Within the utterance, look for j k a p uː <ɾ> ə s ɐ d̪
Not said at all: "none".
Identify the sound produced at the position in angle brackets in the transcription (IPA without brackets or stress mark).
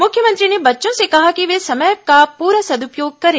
ɾ